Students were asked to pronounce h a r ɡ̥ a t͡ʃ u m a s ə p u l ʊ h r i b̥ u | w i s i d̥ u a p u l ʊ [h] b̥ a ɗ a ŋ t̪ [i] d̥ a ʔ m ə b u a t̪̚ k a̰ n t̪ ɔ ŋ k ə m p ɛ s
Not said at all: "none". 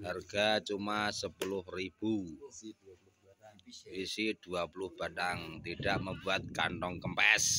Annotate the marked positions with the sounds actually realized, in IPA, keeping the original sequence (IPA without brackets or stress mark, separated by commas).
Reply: h, i